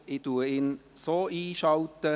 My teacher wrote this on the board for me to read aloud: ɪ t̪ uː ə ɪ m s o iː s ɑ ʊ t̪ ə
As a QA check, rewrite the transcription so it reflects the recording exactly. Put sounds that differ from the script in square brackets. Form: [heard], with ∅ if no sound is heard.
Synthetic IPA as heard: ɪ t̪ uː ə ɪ [n] s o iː [ʃ] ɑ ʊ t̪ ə